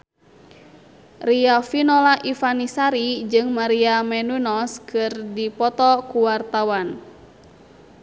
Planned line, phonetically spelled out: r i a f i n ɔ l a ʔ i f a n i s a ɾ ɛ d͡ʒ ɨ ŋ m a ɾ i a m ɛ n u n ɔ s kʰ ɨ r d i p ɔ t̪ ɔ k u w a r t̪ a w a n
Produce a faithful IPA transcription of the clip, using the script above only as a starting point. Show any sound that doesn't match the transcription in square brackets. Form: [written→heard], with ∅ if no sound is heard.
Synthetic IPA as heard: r i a f i n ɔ l a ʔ i f a n i s a ɾ [ɛ→i] d͡ʒ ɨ ŋ m a ɾ i a m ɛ n u n ɔ s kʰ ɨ r d i p ɔ t̪ ɔ k u w a r t̪ a w a n